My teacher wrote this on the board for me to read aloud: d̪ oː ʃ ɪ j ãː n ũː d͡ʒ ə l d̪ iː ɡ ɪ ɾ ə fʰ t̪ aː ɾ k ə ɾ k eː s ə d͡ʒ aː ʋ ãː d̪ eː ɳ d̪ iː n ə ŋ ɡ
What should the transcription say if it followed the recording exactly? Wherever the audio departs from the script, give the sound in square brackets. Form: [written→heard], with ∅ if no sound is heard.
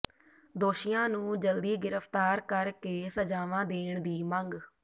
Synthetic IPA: d̪ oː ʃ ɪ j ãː n ũː d͡ʒ ə l d̪ iː ɡ ɪ ɾ ə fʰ t̪ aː ɾ k ə ɾ k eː s ə d͡ʒ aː ʋ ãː d̪ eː ɳ d̪ iː [n→m] ə ŋ ɡ